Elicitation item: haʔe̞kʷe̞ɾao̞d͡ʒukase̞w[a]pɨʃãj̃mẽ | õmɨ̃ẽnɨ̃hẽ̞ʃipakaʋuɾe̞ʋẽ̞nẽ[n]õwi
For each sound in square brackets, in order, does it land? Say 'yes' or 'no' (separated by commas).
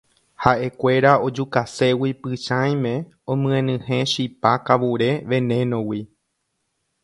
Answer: no, yes